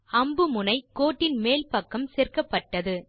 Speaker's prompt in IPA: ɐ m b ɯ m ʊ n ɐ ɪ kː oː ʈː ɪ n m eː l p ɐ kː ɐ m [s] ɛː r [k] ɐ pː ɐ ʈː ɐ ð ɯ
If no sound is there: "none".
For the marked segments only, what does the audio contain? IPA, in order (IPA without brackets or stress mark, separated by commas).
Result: s, k